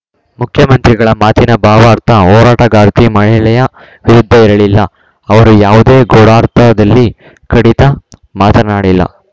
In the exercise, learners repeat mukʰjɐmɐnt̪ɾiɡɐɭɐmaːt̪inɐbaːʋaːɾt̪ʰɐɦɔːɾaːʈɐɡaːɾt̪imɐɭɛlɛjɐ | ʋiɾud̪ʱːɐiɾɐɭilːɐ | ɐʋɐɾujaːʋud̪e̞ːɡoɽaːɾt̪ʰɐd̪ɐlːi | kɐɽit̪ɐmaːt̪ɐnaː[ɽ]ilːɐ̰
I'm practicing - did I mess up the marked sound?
no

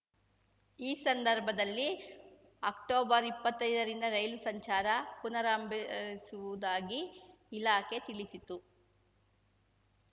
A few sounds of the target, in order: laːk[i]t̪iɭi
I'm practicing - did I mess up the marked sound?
yes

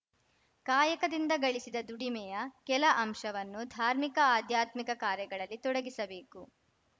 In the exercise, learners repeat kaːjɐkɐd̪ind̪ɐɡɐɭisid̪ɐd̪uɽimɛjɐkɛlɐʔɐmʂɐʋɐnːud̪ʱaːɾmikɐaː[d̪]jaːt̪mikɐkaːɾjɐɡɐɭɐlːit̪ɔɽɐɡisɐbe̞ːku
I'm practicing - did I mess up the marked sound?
no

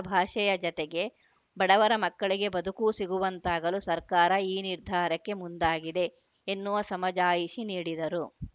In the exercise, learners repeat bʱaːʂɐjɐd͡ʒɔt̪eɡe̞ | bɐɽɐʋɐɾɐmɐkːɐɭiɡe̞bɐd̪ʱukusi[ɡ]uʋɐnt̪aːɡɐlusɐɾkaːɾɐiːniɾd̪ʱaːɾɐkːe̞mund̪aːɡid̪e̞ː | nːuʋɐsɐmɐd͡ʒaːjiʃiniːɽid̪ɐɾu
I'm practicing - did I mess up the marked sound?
no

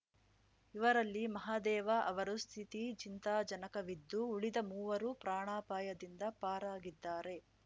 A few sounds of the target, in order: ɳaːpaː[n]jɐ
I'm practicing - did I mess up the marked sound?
yes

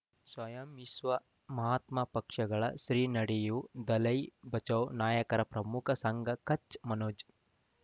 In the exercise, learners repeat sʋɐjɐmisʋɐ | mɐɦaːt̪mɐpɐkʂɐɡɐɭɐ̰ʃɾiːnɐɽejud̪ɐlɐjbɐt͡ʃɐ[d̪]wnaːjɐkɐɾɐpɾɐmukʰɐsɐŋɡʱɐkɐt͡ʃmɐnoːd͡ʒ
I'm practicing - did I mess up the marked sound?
yes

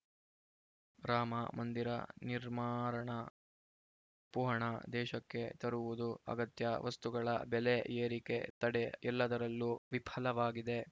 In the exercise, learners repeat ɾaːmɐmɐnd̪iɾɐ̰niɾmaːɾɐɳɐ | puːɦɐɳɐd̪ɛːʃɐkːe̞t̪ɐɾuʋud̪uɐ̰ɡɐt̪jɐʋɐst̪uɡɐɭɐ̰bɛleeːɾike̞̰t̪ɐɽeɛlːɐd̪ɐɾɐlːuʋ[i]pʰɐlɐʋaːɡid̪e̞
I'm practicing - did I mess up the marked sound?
no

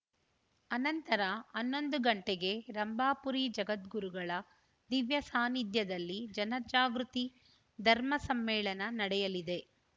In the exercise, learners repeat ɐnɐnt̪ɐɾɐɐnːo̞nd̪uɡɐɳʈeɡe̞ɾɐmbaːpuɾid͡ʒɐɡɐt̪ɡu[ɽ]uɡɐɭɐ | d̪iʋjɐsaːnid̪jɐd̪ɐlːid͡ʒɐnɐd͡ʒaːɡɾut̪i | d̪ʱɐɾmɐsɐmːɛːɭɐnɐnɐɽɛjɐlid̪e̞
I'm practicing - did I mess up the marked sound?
yes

